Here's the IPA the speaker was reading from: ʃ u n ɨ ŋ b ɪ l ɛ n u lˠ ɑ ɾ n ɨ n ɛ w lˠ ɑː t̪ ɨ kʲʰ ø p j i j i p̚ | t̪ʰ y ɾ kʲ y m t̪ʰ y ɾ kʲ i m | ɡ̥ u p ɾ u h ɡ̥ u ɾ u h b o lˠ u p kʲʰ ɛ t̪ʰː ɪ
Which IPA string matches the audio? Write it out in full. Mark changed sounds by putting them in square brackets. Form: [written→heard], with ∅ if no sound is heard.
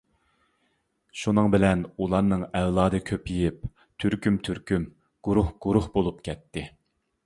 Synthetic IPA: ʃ u n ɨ ŋ b ɪ l ɛ n u lˠ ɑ ɾ n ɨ [n→ŋ] ɛ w lˠ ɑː [t̪→d̪] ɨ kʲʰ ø p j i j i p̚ | t̪ʰ y ɾ kʲ y m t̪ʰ y ɾ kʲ [i→y] m | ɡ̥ u [p→∅] ɾ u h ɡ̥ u ɾ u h b o lˠ u p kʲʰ ɛ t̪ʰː ɪ